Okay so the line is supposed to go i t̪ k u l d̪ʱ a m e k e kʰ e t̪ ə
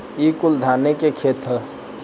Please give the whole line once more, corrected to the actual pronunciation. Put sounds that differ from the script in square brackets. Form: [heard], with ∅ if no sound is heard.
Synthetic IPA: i [∅] k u l d̪ʱ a [n] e k e kʰ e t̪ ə